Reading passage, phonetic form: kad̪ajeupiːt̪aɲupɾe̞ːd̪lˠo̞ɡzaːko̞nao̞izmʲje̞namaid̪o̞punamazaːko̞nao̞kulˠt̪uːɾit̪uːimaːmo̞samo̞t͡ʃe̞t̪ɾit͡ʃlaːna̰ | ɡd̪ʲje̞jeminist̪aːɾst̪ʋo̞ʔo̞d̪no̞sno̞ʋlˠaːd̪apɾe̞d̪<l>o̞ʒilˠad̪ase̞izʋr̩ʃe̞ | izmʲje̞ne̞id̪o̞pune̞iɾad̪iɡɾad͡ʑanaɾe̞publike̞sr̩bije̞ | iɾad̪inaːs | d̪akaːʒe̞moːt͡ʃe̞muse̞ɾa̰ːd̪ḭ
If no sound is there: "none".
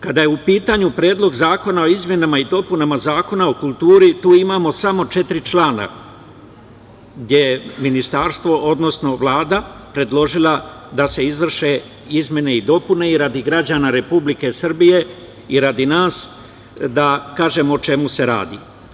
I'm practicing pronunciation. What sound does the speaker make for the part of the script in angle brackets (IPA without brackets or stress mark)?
l